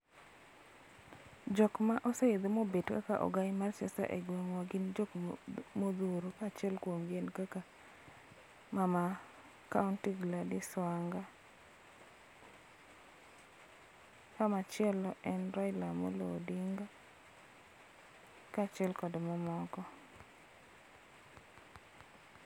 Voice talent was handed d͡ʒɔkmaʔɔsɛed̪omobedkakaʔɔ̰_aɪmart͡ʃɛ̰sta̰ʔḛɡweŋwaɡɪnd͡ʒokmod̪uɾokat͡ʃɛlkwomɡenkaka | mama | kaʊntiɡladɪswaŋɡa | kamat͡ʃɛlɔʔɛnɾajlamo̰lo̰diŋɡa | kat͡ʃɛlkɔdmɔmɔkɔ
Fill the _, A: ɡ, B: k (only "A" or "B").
A